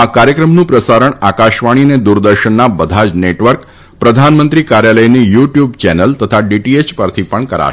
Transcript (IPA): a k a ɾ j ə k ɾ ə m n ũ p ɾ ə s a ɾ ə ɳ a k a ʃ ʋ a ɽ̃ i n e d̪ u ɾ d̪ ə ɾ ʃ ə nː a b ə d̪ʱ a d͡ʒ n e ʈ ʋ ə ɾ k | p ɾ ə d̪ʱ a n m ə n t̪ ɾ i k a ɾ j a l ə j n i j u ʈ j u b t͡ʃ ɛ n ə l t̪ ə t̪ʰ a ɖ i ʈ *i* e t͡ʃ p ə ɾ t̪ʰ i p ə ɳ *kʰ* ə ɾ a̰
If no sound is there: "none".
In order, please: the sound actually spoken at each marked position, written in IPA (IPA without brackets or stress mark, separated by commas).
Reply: i, k